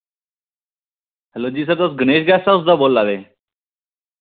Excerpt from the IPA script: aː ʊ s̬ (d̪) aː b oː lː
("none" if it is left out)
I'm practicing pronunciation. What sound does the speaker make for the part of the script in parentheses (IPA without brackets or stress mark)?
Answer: d̪